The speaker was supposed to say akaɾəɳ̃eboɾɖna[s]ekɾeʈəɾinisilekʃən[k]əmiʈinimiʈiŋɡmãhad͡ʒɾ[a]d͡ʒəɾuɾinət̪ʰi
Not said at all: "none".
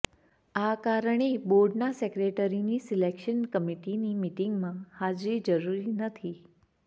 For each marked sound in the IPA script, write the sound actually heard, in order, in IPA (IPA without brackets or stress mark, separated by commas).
s, k, i